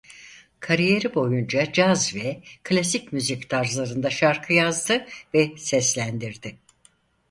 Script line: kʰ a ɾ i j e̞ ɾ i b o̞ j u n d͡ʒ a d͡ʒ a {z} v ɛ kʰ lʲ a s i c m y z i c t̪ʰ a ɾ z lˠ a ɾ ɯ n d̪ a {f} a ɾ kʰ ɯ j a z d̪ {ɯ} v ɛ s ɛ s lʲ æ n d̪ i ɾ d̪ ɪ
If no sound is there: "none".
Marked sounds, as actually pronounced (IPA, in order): z, ʃ, ɯ

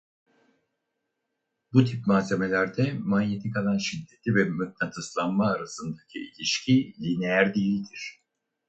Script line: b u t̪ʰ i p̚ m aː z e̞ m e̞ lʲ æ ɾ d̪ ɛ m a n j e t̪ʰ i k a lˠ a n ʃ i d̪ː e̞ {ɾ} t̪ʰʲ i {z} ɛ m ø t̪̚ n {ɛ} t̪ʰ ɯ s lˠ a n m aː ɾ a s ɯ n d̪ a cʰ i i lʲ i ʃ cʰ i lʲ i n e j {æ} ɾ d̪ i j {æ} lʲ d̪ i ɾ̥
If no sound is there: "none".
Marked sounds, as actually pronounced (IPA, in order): none, v, a, æ, i

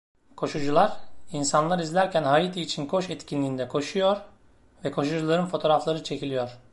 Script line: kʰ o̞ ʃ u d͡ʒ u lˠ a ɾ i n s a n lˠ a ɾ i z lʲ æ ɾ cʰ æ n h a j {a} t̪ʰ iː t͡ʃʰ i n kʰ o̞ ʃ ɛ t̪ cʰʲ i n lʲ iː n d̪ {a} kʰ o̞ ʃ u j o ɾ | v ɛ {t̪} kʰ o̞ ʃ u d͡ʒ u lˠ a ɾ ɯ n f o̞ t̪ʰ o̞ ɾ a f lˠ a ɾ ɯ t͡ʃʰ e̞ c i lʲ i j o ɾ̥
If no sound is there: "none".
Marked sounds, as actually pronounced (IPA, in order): i, ɛ, none

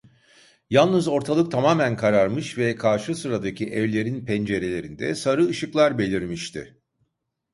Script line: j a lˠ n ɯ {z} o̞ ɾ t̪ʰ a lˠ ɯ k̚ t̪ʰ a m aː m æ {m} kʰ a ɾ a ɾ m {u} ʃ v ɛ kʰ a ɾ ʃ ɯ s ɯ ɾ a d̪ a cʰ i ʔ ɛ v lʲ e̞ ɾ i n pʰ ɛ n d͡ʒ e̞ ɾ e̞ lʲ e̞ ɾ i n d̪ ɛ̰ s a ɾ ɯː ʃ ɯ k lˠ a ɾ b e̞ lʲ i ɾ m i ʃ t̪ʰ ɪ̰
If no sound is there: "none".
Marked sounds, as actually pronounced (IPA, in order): z, n, ɯ

